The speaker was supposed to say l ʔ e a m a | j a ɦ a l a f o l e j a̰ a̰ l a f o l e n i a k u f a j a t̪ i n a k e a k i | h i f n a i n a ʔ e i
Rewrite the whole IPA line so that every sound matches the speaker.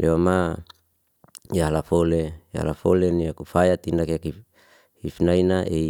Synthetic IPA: l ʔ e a m a | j a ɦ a l a f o l e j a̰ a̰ l a f o l e n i a k u f a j a t̪ i n a k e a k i | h i f n a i n a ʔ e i